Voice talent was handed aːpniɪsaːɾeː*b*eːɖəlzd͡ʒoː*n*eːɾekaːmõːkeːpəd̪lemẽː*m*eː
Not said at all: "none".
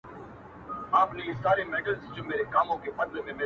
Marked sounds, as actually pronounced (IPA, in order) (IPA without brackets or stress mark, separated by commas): m, m, m